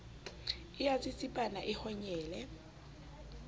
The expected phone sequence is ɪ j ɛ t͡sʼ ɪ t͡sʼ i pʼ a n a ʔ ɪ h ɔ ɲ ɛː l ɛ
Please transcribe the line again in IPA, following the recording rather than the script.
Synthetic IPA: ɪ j a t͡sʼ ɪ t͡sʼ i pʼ a n a ʔ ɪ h ɔ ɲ ɛː l ɛ